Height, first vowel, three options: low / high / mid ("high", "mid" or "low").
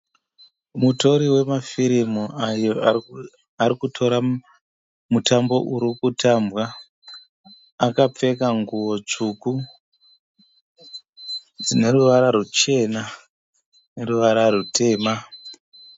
high